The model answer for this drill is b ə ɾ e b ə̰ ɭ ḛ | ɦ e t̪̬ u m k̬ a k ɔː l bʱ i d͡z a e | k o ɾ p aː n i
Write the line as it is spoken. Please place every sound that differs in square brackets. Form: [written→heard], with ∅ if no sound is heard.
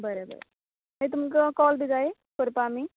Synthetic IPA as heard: b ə ɾ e b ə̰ [ɭ→ɾ] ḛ | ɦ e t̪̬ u m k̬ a k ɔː l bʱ i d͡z a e | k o ɾ p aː [n→m] i

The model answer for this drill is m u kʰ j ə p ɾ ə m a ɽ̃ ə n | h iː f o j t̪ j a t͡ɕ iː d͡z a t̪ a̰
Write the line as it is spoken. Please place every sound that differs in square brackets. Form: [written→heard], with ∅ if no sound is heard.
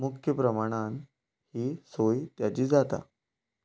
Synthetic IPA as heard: m u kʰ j ə p ɾ ə m a ɽ̃ [ə→a] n | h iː [f→s] o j t̪ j a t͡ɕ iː d͡z a t̪ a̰

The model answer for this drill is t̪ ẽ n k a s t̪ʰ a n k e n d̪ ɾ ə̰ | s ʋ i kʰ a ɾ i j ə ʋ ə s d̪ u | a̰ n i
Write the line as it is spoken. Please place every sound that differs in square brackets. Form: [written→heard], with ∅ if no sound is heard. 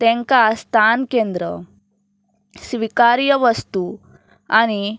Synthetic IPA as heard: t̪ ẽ [n→ŋ] k a s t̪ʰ a n k e n d̪ ɾ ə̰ | s ʋ i [kʰ→k] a ɾ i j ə ʋ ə s [d̪→t̪] u | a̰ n i

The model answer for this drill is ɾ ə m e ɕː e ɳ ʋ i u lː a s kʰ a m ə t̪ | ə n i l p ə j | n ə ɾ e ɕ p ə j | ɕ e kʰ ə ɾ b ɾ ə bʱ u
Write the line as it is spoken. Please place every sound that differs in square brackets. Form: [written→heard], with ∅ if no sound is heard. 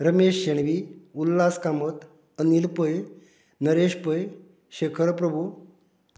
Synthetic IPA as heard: ɾ ə m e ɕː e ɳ ʋ i u lː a s [kʰ→k] a m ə t̪ | ə n i l p ə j | n ə ɾ e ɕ p ə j | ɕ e kʰ ə ɾ [b→p] ɾ ə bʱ u

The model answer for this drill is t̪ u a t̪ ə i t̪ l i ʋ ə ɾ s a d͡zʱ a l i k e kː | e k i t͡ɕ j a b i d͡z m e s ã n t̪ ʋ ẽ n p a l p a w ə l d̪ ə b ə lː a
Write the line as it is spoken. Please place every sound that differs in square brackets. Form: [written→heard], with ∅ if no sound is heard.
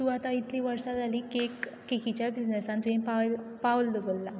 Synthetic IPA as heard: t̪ u a t̪ [ə→a] i t̪ l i ʋ ə ɾ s a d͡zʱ a l i k e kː | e k i t͡ɕ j a b i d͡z [m→n] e s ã n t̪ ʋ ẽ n p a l p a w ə l d̪ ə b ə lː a

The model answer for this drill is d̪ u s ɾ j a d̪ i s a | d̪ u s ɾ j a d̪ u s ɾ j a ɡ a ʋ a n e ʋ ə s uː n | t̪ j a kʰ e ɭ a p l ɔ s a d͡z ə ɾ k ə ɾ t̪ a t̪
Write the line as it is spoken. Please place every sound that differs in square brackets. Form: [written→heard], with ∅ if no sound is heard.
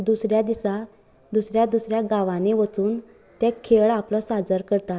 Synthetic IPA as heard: d̪ u s ɾ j a d̪ i s a | d̪ u s ɾ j a d̪ u s ɾ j a ɡ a ʋ a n e ʋ ə [s→t͡s] uː n | t̪ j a kʰ e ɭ a p l ɔ s a d͡z ə ɾ k ə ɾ t̪ a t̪

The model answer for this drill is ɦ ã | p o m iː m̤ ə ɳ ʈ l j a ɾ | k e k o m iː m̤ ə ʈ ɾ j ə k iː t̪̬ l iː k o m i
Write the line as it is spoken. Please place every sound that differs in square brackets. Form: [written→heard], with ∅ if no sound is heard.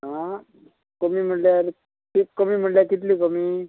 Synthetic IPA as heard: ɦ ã | [p→k] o m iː m̤ ə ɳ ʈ l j a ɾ | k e k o m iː m̤ ə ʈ [ɾ→l] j [ə→a] k [iː→i] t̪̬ l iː k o m i

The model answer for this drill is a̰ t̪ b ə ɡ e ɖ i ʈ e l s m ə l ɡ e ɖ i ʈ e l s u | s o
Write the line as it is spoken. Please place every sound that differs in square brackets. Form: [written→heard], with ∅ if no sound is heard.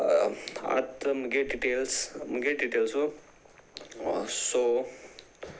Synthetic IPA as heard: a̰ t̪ [b→m] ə ɡ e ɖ i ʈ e l s m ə [l→∅] ɡ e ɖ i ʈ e l s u | s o

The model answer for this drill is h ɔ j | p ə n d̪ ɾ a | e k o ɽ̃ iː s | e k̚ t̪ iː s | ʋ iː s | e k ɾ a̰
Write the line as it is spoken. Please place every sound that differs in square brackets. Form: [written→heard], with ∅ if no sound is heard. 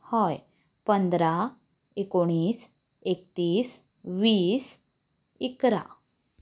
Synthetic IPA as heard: h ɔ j | p ə n d̪ ɾ a | e k o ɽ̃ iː s | e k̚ t̪ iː s | ʋ iː s | [e→i] k ɾ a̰

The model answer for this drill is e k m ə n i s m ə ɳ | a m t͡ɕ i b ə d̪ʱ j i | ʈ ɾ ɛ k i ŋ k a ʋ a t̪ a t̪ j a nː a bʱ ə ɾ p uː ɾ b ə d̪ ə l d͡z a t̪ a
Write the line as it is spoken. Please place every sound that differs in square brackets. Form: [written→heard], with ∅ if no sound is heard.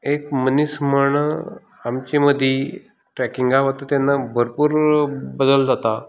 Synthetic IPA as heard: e k m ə n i s m ə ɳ | a m t͡ɕ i [b→m] ə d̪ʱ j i | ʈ ɾ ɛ k i ŋ [k→ɡ] a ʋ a t̪ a t̪ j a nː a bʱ ə ɾ p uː ɾ b ə d̪ ə l d͡z a t̪ a

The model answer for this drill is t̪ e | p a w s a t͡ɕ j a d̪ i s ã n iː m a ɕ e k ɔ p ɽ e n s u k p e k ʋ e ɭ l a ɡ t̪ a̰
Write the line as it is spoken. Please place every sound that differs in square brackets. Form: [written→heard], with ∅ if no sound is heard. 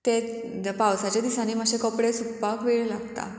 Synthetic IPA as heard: t̪ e | p a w s a t͡ɕ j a d̪ i s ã n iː m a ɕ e k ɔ p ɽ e [n→∅] s u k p [e→a] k ʋ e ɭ l a ɡ t̪ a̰

